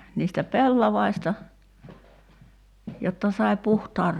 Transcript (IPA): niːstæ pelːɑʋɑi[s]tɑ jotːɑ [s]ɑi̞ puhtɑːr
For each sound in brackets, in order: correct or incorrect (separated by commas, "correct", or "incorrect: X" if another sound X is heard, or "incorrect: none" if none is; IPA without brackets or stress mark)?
correct, correct